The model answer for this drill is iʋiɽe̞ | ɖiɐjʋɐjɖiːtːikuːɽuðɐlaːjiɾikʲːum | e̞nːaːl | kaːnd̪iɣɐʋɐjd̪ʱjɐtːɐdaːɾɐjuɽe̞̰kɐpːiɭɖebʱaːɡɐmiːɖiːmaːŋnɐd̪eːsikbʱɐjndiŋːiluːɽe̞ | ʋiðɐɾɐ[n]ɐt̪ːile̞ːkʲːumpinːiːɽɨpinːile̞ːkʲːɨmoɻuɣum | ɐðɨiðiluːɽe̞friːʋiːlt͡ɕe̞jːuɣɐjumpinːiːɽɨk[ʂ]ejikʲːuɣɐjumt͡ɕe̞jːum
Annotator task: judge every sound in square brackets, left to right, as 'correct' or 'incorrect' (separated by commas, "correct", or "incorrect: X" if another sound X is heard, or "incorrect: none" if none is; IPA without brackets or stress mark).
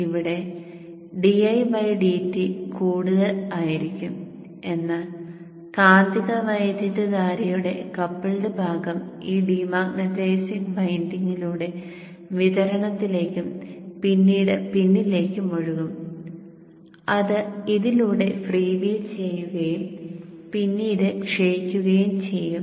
incorrect: ɳ, correct